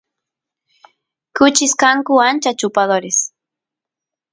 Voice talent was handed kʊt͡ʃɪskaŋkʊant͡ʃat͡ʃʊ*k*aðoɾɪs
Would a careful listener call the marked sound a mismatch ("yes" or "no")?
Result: yes